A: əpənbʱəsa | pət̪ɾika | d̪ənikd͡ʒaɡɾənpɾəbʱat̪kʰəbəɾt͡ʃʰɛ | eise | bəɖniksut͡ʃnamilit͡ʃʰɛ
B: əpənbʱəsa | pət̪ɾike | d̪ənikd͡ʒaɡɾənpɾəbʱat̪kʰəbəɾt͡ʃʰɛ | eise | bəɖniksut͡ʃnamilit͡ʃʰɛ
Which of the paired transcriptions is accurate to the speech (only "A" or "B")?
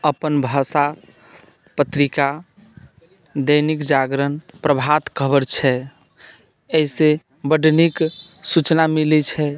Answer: A